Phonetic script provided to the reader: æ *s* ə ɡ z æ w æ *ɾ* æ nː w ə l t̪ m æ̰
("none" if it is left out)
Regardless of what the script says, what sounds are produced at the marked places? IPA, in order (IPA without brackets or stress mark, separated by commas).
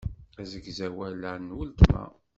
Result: z, l